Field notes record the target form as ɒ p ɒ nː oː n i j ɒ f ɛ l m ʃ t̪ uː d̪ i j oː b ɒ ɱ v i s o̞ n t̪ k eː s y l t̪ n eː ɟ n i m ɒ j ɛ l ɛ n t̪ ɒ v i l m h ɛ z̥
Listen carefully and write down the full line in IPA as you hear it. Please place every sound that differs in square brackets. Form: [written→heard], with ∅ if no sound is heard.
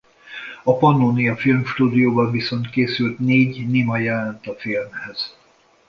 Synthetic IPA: ɒ p ɒ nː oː n i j ɒ f [ɛ→i] l m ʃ t̪ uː d̪ i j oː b ɒ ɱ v i s o̞ n t̪ k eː s y l t̪ n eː ɟ n i m ɒ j ɛ l ɛ n t̪ ɒ [v→f] i l m h ɛ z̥